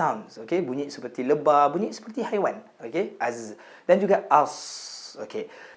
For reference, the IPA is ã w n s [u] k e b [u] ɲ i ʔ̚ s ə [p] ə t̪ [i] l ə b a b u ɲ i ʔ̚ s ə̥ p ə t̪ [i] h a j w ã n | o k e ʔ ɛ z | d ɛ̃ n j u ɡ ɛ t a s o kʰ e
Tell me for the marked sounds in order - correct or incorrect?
incorrect: o, correct, correct, correct, correct

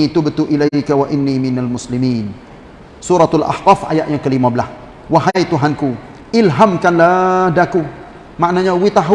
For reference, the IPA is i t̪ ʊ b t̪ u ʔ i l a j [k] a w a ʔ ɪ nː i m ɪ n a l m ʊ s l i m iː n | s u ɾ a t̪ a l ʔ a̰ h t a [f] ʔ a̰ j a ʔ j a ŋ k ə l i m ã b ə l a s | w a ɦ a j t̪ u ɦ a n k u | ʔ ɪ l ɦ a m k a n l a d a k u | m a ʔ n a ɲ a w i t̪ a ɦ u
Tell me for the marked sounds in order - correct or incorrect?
correct, correct

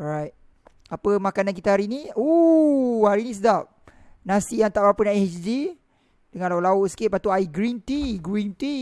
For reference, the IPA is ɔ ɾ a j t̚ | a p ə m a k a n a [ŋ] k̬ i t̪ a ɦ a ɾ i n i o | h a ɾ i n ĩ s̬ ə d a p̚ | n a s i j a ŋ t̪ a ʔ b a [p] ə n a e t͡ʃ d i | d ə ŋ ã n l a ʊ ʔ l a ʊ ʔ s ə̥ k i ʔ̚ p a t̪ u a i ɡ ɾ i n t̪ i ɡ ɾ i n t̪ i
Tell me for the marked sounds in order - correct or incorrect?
incorrect: n, correct

